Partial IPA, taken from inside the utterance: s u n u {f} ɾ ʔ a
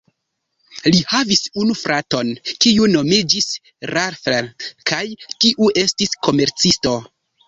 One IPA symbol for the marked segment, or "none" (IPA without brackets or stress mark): f